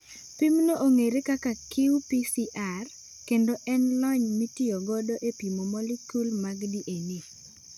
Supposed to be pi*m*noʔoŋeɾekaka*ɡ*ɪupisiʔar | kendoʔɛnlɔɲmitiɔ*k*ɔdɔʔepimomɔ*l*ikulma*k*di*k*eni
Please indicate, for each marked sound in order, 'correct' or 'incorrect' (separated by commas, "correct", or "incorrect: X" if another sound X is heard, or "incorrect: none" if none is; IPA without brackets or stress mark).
correct, incorrect: k, incorrect: ɡ, correct, incorrect: ɡ, incorrect: ʔ